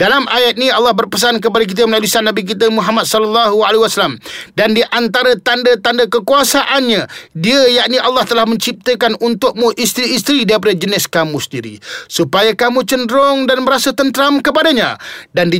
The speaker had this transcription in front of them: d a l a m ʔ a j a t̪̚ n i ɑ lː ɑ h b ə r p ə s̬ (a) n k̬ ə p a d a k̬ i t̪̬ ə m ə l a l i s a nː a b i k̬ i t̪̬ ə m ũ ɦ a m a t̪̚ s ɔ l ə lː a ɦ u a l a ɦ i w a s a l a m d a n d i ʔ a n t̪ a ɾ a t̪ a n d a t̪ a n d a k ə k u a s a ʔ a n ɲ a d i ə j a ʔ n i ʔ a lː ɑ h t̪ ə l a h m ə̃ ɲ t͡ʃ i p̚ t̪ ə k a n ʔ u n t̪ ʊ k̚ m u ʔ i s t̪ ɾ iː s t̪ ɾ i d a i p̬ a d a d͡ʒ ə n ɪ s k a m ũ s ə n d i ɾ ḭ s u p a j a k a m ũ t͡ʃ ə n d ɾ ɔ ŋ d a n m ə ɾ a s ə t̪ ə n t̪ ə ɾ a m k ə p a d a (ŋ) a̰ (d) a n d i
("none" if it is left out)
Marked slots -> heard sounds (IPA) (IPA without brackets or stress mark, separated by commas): a, ɲ, d